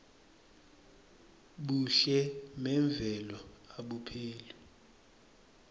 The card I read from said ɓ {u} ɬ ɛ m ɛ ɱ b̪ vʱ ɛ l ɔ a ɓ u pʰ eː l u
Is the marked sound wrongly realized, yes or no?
no